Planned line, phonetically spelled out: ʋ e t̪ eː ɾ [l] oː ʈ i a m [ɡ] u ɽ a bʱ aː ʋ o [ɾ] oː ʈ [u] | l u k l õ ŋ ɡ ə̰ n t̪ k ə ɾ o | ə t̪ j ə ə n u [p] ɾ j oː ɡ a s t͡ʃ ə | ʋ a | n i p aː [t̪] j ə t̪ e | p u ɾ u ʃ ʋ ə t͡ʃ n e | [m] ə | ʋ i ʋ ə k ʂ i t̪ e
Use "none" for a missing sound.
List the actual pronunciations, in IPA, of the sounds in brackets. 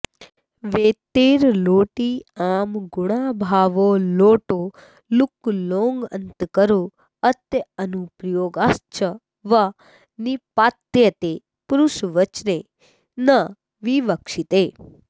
l, ɡ, l, o, p, t̪, n

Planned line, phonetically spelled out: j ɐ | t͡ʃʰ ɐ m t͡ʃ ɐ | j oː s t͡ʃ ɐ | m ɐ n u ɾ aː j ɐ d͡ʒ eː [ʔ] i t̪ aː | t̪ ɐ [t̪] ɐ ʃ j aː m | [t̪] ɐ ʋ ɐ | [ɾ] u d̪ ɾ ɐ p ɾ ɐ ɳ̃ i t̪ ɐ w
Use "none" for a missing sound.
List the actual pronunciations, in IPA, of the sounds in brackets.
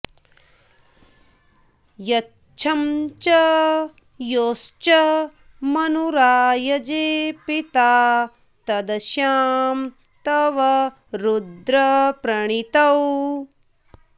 p, d̪, t̪, ɾ

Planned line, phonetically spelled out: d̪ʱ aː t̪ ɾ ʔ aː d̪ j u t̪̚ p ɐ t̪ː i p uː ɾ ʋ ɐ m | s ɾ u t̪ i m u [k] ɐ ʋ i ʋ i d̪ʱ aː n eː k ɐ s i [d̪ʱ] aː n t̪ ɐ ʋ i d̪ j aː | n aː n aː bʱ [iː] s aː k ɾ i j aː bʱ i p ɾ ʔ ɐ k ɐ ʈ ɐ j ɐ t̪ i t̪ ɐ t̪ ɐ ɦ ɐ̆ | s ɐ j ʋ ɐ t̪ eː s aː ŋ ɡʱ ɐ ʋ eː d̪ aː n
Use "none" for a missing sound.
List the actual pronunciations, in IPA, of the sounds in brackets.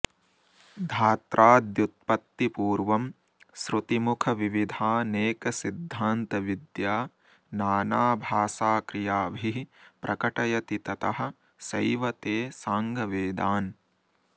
kʰ, d̪ʱː, aː

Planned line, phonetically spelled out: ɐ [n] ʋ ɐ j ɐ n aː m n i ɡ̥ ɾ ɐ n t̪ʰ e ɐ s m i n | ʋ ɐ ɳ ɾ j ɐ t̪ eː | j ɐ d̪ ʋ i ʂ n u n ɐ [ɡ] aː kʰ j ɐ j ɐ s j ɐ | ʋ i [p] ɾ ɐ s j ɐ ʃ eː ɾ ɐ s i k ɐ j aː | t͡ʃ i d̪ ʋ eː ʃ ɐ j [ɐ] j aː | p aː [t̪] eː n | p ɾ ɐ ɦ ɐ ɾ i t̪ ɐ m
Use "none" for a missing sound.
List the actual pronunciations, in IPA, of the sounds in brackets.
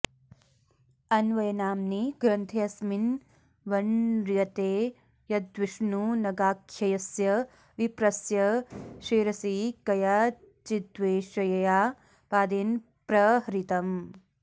n, ɡ, p, ɐ, d̪

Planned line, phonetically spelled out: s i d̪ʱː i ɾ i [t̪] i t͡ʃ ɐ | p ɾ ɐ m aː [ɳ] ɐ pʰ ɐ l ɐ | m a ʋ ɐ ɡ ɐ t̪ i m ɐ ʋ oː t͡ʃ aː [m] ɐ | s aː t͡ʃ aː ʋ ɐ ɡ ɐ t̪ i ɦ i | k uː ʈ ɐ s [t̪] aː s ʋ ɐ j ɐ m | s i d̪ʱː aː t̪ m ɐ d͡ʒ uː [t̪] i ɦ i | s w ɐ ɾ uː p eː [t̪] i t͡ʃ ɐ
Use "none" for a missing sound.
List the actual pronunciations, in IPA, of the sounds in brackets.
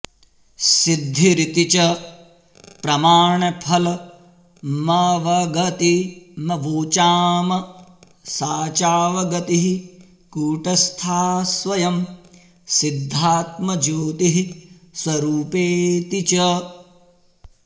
t̪, ɳ, m, t̪ʰ, t̪, t̪

